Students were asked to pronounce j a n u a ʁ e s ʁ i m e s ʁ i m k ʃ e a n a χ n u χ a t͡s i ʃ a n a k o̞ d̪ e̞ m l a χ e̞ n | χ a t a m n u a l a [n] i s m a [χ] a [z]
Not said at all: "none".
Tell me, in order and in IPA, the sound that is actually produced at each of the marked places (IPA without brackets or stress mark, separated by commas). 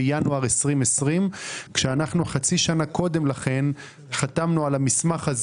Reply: m, χ, z